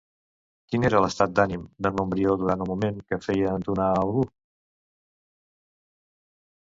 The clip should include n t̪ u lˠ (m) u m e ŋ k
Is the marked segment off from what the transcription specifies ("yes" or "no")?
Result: no